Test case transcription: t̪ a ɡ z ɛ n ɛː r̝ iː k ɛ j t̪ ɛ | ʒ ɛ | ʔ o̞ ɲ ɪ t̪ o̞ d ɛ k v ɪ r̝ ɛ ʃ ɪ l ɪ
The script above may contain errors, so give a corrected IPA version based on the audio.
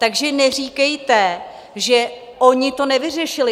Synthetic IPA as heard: t̪ a ɡ ʒ ɛ n ɛ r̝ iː k ɛ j t̪ ɛ | ʒ ɛ | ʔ o̞ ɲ ɪ t̪ o̞ n ɛ v ɪ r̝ ɛ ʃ ɪ l ɪ